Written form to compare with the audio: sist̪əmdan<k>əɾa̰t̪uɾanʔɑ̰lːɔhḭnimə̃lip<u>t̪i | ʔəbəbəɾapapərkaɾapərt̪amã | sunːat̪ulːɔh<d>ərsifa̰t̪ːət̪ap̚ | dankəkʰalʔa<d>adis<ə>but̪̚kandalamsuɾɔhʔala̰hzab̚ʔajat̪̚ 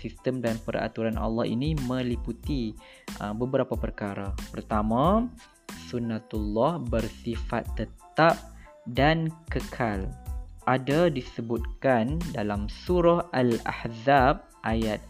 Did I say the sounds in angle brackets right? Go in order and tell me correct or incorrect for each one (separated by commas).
incorrect, correct, incorrect, correct, correct